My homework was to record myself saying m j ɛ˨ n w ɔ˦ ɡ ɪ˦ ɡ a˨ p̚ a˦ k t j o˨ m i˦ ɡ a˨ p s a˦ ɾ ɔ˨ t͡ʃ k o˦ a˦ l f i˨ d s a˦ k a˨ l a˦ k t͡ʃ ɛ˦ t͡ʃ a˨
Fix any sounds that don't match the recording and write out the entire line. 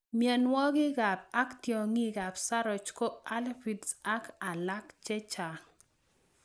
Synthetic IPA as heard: m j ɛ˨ n w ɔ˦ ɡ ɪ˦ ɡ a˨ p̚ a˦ k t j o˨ ŋ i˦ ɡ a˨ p s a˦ ɾ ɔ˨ t͡ʃ k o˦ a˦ l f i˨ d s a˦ k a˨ l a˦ k t͡ʃ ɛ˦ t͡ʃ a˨